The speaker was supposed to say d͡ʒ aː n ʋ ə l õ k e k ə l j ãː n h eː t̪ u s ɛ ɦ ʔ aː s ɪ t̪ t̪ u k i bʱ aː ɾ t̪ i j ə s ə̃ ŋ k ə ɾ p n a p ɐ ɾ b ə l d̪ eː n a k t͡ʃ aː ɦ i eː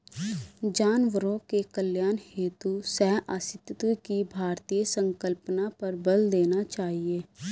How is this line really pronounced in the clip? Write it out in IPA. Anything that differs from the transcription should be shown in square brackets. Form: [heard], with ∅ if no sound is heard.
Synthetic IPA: d͡ʒ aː n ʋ ə [ɾ] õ k e k ə l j [aː] n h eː t̪ u s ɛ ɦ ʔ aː s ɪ t̪ t̪ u k i bʱ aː ɾ t̪ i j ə s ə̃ ŋ k ə [l] p n a p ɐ ɾ b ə l d̪ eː n a [∅] t͡ʃ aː ɦ i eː